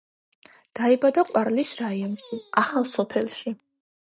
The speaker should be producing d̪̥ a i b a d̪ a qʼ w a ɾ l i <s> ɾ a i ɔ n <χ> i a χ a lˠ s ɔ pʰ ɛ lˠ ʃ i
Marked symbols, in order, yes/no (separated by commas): yes, no